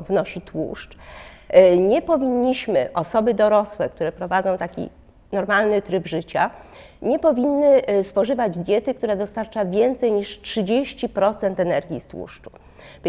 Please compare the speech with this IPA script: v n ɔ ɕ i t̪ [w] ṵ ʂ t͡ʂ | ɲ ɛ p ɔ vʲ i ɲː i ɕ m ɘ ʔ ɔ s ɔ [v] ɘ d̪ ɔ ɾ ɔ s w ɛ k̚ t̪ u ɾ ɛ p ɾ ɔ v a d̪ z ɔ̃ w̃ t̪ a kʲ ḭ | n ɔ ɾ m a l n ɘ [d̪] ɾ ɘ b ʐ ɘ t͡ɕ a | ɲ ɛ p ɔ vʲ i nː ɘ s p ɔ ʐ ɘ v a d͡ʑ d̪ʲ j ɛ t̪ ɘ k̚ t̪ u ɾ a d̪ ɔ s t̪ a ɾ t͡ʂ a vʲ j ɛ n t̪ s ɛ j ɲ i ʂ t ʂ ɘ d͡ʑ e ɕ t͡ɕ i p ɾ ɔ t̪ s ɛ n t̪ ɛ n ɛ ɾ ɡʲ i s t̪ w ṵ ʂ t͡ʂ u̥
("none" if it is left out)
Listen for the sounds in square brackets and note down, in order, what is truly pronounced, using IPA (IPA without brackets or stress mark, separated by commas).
w, b, t̪